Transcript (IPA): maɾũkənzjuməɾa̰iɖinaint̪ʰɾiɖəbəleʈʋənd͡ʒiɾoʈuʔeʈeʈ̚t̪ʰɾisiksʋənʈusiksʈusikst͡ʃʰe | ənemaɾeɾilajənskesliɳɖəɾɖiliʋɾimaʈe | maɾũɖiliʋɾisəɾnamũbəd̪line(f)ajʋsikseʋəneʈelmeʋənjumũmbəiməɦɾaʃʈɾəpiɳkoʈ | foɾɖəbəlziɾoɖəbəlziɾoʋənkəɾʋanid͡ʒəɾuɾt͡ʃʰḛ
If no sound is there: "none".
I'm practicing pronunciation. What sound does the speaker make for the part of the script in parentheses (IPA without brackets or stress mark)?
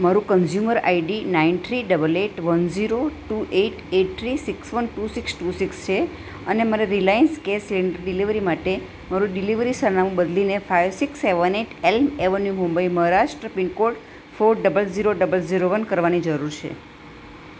f